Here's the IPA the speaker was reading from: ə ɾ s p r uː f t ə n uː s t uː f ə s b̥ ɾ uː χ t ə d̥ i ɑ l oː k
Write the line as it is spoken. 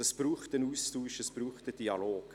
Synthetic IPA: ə s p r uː χ t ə n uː s t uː ʃ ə s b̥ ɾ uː χ t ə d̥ i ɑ l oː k